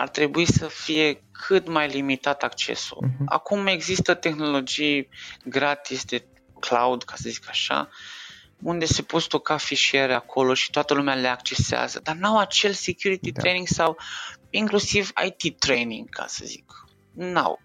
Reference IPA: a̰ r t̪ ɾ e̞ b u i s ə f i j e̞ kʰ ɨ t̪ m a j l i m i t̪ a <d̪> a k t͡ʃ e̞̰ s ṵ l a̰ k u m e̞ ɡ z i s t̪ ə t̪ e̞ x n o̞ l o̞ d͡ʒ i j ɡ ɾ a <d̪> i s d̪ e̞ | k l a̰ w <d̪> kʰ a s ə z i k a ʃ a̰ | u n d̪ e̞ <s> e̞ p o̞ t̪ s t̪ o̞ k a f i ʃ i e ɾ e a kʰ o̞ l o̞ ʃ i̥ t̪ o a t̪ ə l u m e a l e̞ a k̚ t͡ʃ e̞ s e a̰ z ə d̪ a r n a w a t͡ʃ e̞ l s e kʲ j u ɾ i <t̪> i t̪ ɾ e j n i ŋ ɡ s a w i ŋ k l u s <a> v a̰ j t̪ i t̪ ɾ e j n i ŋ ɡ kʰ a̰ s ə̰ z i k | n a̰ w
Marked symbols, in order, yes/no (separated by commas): no, no, yes, yes, yes, no